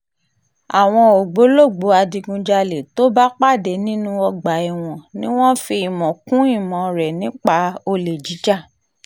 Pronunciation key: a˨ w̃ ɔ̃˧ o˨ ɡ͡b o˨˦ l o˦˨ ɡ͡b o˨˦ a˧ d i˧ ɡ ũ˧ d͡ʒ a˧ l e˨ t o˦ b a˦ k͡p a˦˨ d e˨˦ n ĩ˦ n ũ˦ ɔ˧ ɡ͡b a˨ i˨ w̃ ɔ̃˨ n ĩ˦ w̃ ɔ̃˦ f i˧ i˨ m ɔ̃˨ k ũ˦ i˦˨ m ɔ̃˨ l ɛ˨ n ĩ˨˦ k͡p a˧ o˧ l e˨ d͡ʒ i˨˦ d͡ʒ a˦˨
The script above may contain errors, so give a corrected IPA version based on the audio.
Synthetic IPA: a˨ w̃ ɔ̃˧ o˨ ɡ͡b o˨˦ l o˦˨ ɡ͡b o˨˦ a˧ d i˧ ɡ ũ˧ d͡ʒ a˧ l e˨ t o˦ b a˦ k͡p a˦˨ d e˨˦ n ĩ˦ n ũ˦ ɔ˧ ɡ͡b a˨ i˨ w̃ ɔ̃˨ n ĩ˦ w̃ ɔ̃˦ f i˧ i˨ m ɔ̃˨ k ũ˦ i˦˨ m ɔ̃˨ ɾ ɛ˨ n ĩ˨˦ k͡p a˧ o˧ l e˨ d͡ʒ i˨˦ d͡ʒ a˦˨